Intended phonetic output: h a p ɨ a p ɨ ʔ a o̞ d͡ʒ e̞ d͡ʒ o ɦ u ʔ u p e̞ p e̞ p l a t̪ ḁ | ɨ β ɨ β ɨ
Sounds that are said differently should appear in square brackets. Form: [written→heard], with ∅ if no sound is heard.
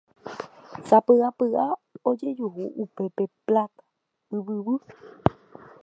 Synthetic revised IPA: [h→s] a p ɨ a p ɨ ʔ a o̞ d͡ʒ e̞ d͡ʒ [o→u] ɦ u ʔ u p e̞ p e̞ p l a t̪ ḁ | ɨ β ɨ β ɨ